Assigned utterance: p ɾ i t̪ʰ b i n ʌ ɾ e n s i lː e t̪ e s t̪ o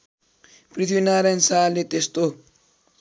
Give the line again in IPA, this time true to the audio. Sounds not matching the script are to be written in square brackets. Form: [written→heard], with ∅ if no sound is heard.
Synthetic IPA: p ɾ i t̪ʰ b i n [ʌ→a] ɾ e n s [i→a] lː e t̪ e s t̪ o